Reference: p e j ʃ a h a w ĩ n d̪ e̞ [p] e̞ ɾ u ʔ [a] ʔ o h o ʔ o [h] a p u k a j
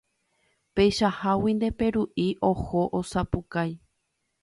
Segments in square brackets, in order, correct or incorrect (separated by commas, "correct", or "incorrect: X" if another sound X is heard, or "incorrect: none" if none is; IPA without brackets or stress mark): correct, incorrect: i, incorrect: s